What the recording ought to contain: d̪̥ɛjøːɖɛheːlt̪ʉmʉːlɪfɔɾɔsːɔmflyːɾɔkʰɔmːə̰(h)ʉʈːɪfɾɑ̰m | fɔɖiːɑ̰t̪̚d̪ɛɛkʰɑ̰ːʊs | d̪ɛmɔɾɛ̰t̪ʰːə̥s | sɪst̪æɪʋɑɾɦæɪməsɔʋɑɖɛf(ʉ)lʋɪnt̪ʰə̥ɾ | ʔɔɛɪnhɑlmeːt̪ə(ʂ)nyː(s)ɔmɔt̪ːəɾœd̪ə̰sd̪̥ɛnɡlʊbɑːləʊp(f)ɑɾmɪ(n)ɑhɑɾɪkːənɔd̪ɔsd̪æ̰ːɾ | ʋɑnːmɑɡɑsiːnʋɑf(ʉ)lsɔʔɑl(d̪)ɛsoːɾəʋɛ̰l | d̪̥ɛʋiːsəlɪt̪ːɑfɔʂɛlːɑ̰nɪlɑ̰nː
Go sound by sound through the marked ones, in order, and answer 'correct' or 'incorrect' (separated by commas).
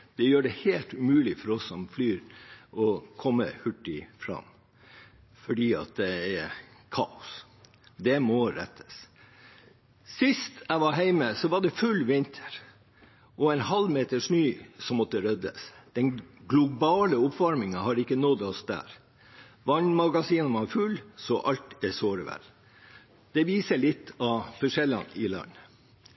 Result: correct, correct, correct, correct, correct, incorrect, correct, incorrect